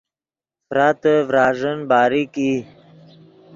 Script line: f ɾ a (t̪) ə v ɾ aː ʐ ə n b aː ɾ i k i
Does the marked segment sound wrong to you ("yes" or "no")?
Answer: no